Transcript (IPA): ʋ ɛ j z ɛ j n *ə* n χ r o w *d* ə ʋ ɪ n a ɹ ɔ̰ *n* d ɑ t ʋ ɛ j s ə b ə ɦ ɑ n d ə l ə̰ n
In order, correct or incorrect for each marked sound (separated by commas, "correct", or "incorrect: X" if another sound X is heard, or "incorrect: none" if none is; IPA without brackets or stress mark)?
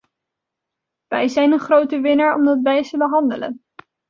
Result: correct, incorrect: t, incorrect: m